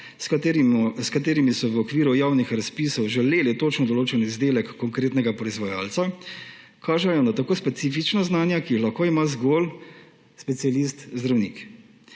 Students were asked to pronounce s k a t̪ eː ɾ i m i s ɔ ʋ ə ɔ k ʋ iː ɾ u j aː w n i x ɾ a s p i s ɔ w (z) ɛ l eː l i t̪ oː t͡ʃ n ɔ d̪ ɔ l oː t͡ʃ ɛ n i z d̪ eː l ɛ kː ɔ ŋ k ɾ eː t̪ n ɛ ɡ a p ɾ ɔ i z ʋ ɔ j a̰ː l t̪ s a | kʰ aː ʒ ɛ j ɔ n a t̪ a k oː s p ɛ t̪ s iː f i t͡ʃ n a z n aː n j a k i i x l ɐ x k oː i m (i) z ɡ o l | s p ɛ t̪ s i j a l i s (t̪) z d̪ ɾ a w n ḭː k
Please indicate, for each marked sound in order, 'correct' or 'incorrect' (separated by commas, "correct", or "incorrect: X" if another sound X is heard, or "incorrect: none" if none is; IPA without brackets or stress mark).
incorrect: ʒ, incorrect: a, correct